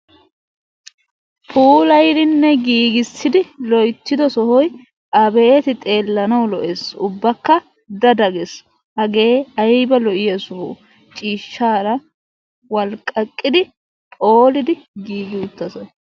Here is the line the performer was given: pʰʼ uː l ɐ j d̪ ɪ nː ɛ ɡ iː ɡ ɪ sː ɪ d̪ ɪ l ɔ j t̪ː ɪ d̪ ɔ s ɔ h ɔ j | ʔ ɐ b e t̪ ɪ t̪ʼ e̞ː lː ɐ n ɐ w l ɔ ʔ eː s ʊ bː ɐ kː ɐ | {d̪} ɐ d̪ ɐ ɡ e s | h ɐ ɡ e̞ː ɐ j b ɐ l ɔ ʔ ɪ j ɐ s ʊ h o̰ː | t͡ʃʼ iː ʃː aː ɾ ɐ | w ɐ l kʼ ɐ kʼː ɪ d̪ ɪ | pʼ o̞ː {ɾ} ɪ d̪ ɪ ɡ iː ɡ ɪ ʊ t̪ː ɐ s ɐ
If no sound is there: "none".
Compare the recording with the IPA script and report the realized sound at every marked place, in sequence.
d̪, l

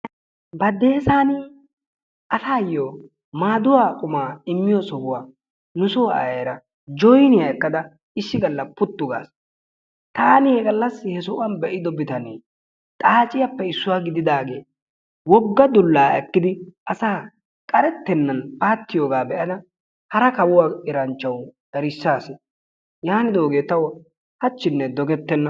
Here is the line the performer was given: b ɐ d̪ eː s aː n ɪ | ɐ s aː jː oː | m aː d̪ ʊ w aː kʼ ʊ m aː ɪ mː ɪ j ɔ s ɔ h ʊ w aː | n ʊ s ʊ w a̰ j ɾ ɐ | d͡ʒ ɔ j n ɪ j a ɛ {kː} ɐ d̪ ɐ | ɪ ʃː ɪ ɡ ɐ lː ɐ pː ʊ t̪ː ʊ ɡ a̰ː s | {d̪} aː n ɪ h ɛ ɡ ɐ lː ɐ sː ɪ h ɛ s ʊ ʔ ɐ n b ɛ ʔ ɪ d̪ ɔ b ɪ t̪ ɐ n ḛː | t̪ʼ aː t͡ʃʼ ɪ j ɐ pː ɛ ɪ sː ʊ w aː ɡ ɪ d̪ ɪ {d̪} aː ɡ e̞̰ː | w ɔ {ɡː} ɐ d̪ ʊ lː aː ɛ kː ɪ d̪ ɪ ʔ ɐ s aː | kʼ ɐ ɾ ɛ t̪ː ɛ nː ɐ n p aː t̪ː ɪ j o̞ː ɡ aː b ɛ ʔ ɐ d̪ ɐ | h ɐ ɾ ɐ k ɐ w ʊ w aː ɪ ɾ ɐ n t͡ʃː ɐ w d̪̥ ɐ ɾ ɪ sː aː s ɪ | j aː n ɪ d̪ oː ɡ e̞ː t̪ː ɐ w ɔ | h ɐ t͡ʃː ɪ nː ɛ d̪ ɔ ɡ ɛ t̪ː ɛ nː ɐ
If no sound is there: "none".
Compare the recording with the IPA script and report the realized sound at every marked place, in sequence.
kː, t̪, d̪, ɡː

